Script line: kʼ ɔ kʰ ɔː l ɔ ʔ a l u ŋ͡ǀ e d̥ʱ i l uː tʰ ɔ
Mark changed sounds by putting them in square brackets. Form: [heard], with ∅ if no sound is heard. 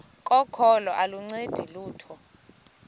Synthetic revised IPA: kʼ ɔ kʰ [ɔ] l ɔ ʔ a l u ŋ͡ǀ e d̥ʱ i l uː tʰ ɔ